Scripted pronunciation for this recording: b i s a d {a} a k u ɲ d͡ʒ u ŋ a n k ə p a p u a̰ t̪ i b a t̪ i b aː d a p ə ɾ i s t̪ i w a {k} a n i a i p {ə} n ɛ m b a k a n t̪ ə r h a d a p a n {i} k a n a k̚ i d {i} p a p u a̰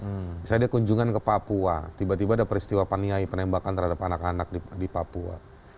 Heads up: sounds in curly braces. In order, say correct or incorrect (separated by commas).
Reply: incorrect, incorrect, correct, incorrect, correct